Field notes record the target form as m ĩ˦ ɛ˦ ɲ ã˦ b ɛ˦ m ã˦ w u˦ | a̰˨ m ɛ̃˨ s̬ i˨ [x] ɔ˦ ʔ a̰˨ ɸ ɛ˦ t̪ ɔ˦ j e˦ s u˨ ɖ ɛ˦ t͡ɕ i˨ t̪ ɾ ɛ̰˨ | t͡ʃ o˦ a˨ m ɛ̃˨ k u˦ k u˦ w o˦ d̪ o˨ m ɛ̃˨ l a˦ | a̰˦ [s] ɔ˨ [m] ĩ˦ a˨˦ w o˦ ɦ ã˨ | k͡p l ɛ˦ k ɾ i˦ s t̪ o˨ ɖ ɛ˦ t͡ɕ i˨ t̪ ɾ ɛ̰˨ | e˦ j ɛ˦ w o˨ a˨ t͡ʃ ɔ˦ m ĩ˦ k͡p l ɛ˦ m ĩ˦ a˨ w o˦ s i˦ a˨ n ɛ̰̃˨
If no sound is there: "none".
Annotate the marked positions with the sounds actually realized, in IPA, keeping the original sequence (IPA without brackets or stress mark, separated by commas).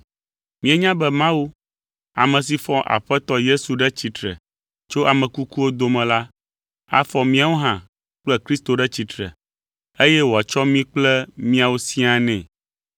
f, f, m